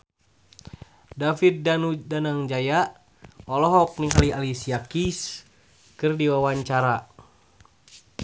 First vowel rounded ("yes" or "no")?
no